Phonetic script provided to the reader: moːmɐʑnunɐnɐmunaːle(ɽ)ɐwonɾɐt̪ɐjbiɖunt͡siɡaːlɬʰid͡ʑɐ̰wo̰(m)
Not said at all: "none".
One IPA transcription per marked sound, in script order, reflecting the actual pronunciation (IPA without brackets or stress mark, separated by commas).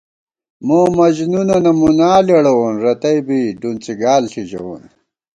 ɽ, n